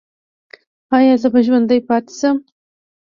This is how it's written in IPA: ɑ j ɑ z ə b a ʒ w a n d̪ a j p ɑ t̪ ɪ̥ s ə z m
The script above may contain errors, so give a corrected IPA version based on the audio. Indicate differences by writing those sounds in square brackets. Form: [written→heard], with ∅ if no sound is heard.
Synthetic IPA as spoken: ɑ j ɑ z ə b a ʒ w a n d̪ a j p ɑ t̪ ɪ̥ s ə [z→∅] m